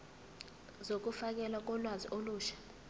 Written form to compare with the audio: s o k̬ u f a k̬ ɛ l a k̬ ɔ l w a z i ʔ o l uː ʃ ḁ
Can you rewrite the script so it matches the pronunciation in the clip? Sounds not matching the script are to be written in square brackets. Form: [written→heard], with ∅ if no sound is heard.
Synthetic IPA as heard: [s→z] o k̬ u f a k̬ ɛ l a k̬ ɔ l w a z i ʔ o l uː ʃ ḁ

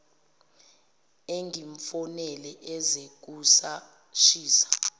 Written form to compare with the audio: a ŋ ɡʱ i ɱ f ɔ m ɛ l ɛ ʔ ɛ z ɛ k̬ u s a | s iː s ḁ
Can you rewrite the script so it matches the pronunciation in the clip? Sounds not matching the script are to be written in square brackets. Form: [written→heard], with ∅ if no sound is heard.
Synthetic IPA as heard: [a→e] ŋ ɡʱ i ɱ f ɔ [m→n] ɛ l ɛ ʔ ɛ z [ɛ→e] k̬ u s a | [s→ʃ] iː s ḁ

